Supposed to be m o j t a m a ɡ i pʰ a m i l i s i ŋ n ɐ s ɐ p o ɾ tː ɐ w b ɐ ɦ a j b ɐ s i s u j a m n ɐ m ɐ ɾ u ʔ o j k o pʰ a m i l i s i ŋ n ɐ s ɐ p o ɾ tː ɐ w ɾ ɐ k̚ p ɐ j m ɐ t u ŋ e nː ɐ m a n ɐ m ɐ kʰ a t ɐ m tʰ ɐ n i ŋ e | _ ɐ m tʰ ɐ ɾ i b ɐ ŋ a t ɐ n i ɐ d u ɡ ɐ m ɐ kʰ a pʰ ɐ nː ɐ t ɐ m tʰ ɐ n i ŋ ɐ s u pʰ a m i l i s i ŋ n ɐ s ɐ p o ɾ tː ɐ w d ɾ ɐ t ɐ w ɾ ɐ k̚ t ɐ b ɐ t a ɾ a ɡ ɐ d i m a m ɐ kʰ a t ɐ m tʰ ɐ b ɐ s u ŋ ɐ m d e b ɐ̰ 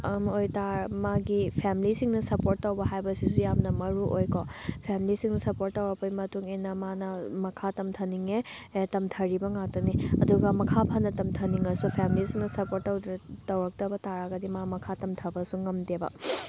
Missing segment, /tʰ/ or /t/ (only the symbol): t